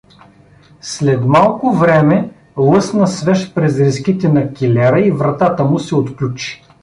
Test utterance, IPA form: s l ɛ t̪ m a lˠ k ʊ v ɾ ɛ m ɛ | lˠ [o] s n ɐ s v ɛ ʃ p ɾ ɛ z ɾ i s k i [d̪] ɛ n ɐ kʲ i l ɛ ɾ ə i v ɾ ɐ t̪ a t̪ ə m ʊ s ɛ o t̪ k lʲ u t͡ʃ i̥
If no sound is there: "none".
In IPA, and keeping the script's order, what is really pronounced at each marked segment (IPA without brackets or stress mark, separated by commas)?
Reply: ɤ, t̪